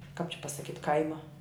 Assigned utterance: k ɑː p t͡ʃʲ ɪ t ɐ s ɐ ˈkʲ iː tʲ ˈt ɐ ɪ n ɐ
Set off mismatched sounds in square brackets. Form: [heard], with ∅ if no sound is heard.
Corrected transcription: k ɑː p t͡ʃʲ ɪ [p] ɐ s ɐ ˈkʲ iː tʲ [ˈk] ɐ ɪ [m] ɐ